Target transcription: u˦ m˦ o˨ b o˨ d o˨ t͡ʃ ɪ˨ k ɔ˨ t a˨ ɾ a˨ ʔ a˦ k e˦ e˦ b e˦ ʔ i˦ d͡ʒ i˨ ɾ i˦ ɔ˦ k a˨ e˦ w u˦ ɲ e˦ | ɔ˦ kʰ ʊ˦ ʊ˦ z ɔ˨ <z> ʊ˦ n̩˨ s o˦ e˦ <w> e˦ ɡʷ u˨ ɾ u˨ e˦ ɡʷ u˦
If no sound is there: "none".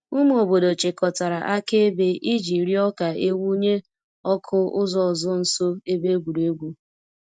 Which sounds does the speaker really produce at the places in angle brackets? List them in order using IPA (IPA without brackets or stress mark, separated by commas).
z, b